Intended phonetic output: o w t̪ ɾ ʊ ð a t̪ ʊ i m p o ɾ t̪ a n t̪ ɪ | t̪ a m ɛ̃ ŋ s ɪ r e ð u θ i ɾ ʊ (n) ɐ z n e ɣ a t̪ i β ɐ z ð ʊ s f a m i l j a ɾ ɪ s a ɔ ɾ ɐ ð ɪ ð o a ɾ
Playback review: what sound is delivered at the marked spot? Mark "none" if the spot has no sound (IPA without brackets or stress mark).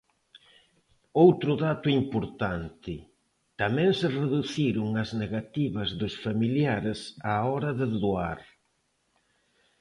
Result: ŋ